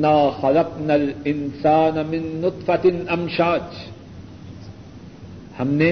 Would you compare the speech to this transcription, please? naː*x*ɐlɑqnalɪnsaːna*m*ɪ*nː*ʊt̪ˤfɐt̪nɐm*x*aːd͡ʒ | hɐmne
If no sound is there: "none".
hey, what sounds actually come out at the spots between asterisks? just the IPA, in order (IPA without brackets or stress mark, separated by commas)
x, m, nː, ʃ